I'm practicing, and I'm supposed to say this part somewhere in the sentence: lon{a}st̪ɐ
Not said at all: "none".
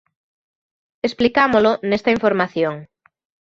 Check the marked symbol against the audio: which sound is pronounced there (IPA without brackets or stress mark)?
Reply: e